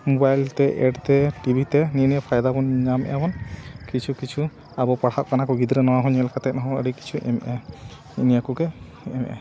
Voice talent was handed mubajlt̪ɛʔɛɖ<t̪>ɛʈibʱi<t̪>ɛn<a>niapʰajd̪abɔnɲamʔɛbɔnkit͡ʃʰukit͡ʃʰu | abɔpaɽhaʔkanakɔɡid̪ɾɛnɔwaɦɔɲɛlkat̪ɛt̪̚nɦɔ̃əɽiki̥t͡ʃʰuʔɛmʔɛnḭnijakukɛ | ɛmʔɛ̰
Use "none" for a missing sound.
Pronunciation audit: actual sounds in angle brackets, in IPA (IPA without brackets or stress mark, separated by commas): t̪, t̪, i